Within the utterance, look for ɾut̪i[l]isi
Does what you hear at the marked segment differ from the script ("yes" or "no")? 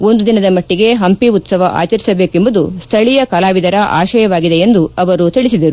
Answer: yes